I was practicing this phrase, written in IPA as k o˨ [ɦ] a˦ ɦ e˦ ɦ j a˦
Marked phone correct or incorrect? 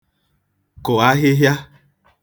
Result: incorrect: none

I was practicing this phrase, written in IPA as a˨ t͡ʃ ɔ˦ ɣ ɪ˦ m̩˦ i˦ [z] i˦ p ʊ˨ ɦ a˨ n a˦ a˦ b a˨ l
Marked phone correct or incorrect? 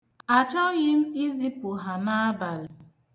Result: correct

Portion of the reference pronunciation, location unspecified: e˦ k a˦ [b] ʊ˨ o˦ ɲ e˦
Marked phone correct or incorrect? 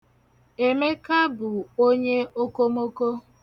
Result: correct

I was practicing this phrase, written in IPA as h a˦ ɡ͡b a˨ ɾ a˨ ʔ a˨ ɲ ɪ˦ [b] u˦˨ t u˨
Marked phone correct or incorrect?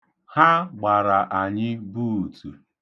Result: correct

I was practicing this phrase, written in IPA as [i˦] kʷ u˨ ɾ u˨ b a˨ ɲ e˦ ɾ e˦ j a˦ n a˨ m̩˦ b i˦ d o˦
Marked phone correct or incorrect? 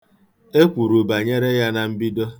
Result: incorrect: e˦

